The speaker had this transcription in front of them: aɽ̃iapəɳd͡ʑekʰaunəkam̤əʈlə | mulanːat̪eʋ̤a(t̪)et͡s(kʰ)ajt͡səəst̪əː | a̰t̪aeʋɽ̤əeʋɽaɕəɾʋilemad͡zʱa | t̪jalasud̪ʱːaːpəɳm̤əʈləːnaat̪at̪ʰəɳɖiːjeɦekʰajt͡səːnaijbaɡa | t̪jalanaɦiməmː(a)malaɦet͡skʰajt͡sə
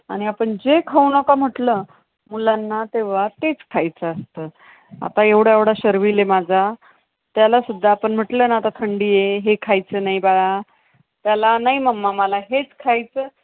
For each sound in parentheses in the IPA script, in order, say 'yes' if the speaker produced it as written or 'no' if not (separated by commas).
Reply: yes, yes, yes